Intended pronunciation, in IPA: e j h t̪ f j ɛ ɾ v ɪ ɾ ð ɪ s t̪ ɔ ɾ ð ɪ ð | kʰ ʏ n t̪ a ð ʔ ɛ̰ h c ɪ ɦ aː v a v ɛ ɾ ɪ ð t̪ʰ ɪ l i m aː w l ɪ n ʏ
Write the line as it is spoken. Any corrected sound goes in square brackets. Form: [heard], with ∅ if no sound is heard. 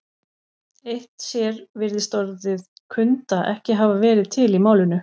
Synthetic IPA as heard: e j h t̪ [s] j ɛ ɾ v ɪ ɾ ð ɪ s t̪ ɔ ɾ ð ɪ ð | kʰ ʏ n t̪ a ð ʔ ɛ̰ h c ɪ ɦ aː v a v [ɛː] ɾ ɪ ð t̪ʰ ɪ l i m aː w l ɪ n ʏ